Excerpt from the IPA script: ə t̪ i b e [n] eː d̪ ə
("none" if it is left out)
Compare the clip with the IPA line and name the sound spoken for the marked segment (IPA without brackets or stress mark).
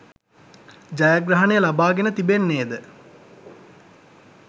nː